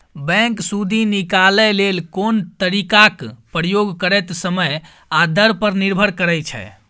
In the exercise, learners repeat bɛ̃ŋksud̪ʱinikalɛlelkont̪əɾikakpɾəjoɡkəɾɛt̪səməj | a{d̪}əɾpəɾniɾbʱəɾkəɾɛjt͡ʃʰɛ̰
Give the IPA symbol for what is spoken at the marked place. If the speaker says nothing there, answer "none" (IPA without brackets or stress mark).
d̪